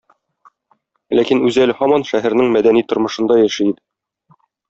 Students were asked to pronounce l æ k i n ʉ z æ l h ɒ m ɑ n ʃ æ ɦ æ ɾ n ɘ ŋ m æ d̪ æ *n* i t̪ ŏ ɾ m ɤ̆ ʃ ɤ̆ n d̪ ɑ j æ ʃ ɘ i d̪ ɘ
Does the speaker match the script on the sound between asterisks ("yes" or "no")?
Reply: yes